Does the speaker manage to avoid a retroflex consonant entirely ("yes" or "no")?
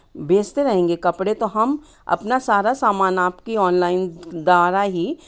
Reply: no